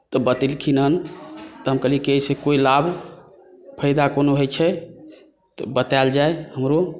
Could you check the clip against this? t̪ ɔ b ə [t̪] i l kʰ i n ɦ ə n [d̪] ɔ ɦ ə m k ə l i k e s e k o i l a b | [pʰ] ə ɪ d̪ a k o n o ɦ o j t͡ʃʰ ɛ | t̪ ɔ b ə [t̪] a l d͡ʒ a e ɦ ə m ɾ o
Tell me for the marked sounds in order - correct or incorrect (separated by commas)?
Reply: correct, incorrect, correct, correct